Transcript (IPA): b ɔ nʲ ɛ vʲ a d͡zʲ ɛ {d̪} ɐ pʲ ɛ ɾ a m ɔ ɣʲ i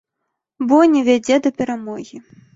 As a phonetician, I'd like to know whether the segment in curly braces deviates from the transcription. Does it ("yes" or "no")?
no